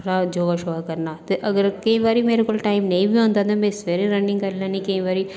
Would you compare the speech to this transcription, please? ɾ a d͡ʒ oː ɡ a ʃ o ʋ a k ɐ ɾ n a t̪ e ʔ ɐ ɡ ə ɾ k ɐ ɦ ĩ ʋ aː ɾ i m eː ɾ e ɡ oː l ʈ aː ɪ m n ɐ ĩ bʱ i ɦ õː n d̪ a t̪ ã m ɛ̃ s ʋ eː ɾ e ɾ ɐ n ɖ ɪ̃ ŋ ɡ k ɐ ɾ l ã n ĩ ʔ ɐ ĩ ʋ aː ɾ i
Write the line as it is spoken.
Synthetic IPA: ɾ a d͡ʒ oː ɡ a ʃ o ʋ a k ɐ ɾ n a t̪ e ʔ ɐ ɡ ə ɾ k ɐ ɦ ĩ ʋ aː ɾ i m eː ɾ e k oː l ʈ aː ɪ m n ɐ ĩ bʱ i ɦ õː n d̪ a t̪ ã m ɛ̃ s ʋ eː ɾ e ɾ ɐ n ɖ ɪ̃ ŋ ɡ k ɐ ɾ l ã n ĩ k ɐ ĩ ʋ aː ɾ i